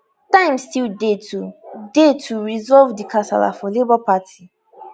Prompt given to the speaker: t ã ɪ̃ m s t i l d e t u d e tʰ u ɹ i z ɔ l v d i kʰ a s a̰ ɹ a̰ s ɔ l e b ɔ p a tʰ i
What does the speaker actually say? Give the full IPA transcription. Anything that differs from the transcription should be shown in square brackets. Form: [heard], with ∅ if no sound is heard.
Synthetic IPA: t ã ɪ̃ m s t i l d e t u d e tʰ u ɹ i z ɔ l v d i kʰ a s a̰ [l] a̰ [f] ɔ l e b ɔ p a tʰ i